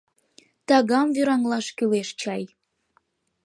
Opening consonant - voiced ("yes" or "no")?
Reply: no